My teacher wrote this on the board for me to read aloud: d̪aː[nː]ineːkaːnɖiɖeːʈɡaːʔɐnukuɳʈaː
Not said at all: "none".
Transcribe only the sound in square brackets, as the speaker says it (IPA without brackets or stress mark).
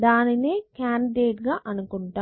n